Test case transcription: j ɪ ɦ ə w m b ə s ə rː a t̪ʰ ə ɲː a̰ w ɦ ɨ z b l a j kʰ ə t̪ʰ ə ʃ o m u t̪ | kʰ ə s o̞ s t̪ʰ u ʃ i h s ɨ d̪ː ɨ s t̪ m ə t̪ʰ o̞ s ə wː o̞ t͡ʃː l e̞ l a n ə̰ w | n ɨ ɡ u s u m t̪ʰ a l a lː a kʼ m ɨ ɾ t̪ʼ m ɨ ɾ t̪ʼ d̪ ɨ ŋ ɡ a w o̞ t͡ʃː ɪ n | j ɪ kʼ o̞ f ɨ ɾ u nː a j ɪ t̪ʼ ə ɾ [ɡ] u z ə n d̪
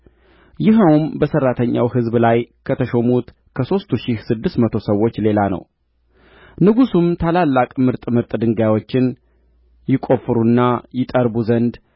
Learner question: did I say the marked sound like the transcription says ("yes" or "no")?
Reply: no